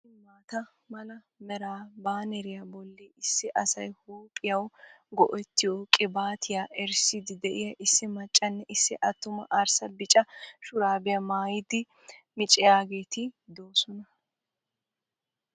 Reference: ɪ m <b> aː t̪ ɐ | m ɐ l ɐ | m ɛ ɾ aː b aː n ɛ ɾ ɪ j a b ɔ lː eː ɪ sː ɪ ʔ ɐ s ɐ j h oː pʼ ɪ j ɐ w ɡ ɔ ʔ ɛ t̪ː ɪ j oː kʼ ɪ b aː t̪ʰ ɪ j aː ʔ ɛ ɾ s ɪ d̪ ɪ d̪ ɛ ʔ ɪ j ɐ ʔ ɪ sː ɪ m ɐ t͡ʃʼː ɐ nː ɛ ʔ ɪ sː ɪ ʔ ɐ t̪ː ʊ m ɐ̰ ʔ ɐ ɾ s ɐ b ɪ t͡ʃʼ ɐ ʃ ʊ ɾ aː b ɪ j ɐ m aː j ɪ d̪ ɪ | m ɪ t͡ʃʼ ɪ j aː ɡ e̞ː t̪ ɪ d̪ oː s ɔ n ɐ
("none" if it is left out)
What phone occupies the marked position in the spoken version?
m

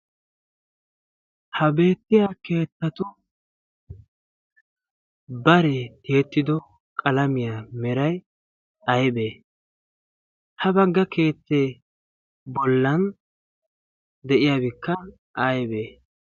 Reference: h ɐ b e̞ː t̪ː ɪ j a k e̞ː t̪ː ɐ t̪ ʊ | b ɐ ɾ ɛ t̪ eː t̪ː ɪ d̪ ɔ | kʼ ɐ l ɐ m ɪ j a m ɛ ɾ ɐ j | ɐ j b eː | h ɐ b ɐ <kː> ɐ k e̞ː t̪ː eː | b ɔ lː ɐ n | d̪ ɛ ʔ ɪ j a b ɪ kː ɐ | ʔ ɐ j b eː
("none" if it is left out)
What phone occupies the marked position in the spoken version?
ɡː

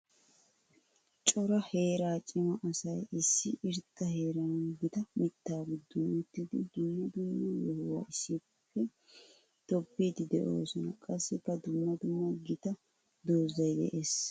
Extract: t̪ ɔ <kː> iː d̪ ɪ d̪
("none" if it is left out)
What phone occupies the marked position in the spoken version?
pː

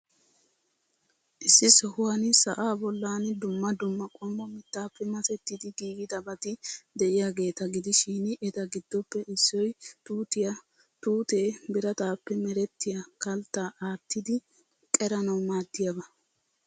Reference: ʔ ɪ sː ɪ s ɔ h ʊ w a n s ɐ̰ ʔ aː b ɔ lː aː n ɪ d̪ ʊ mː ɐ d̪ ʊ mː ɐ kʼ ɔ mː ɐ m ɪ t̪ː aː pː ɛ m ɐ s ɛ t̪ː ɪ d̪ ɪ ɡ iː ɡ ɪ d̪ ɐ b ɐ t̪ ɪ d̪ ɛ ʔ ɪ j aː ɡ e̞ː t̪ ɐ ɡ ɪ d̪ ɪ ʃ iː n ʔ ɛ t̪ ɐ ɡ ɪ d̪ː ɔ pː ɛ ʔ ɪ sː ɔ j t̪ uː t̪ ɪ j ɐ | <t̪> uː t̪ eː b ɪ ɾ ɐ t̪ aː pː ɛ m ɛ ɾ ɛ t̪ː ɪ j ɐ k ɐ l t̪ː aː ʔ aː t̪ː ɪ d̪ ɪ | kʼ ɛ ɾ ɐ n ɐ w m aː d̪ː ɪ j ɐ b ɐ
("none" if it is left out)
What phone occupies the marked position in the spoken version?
t̪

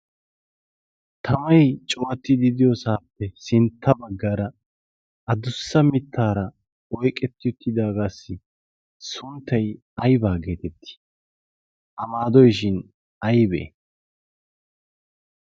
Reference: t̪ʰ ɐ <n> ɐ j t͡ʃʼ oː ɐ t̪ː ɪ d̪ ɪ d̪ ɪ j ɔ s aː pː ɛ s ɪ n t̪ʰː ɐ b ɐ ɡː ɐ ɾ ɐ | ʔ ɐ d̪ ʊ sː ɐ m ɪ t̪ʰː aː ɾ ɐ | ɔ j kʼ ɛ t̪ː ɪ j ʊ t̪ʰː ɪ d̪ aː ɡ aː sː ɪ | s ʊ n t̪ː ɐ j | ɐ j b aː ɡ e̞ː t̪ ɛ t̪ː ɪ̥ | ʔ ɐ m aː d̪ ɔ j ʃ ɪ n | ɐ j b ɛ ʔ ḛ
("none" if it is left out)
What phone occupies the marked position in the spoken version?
m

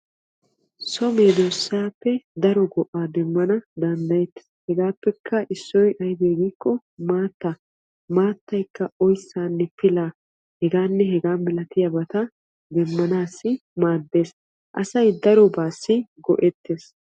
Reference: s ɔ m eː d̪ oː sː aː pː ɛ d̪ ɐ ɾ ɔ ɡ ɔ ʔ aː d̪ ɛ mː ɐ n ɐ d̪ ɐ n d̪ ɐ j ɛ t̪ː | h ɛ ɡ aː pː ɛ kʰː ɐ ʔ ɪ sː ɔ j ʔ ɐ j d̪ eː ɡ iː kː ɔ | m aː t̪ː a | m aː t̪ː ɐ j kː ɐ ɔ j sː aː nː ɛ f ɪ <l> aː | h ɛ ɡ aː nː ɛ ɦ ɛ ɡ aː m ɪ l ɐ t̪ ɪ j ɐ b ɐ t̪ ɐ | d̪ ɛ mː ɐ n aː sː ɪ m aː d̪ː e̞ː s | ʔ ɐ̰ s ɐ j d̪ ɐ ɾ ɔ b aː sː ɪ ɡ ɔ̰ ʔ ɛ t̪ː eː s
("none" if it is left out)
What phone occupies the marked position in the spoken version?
l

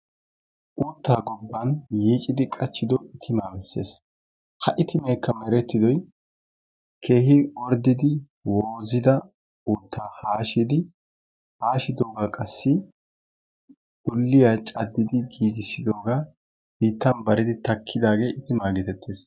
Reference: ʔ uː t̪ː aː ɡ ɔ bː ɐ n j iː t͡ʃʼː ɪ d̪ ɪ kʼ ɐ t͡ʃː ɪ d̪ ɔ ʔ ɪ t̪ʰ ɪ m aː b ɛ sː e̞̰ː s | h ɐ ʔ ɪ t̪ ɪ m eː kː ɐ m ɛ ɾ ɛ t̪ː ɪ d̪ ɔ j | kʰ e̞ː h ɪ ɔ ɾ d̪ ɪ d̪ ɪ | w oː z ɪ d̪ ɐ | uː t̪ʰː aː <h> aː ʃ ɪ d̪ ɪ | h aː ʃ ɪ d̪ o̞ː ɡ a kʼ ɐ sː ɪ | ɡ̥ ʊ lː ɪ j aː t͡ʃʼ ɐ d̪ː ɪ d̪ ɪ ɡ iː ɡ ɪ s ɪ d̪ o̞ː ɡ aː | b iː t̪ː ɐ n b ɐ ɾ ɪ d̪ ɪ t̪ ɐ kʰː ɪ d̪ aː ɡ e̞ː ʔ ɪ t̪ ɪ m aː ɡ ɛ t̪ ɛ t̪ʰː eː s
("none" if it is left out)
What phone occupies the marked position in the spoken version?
h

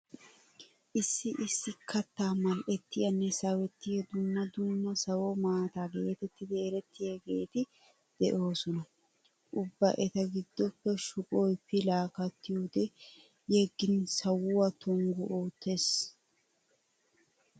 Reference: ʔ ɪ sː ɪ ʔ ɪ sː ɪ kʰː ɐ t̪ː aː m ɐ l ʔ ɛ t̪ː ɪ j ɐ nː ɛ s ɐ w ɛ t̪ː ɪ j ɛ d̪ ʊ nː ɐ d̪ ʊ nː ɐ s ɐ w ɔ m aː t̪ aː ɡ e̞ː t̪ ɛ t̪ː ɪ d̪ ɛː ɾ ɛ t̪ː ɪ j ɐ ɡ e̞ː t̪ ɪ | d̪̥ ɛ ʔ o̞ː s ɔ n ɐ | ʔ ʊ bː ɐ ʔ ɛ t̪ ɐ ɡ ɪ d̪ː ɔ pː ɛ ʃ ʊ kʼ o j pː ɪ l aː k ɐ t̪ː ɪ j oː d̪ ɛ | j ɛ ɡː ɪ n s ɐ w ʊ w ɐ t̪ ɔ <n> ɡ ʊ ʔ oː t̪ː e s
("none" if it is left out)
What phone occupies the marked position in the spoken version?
ŋ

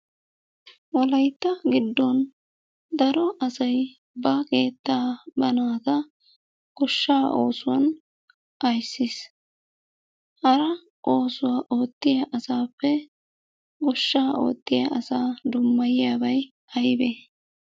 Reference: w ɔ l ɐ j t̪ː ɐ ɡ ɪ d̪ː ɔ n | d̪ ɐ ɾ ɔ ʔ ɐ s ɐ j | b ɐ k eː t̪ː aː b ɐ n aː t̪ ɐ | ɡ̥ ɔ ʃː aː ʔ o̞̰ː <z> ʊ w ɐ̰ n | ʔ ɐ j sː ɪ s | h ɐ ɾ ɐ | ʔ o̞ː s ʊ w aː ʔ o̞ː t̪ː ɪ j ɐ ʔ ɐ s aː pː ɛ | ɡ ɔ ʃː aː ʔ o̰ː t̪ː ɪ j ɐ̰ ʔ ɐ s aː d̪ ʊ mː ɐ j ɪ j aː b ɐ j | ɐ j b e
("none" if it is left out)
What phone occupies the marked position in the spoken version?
s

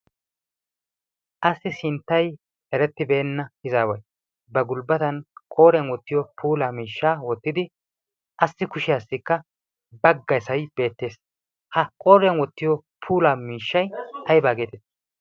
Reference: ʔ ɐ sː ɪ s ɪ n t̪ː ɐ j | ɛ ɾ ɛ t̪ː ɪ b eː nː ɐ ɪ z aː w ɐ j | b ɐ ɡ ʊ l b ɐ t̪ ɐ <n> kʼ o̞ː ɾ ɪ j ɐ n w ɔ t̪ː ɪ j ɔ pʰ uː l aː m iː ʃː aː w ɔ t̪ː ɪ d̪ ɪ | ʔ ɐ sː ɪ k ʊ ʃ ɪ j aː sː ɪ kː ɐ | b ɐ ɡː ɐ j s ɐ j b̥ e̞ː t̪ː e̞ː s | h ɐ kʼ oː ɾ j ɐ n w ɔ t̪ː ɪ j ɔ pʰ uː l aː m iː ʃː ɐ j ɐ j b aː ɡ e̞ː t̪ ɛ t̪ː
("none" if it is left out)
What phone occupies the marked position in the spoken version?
n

